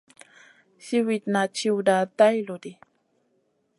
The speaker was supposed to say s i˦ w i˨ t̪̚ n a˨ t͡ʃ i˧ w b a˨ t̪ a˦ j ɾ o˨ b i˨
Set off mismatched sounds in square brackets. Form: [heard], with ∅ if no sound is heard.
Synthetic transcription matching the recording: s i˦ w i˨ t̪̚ n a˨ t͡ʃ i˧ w [d] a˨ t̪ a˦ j [l] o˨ [d] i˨